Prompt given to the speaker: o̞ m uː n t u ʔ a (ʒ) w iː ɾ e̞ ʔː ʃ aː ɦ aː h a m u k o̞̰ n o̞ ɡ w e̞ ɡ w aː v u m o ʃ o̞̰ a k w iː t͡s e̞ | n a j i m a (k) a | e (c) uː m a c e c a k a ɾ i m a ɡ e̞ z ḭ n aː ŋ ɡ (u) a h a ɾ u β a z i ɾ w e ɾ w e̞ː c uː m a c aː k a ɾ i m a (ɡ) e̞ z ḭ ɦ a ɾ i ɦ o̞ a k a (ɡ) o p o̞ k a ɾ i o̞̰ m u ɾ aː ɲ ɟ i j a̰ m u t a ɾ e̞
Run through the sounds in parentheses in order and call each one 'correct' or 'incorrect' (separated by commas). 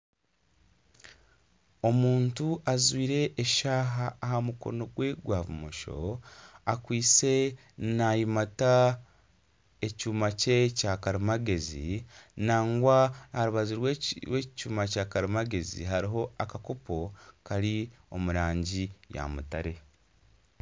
incorrect, incorrect, correct, incorrect, correct, incorrect